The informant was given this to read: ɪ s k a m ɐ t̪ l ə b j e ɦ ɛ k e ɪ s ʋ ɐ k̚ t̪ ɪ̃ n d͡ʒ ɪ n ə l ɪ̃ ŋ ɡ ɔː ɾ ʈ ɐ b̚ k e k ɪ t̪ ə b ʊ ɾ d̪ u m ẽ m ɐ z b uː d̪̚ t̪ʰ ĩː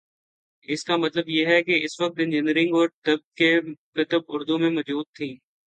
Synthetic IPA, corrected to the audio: ɪ s k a m ɐ t̪ l ə b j e ɦ ɛ k e ɪ s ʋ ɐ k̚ t̪ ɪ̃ n d͡ʒ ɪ n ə ɾ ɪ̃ ŋ ɡ ɔː ɾ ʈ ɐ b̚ k e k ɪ t̪ ə b ʊ ɾ d̪ u m ẽ m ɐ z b uː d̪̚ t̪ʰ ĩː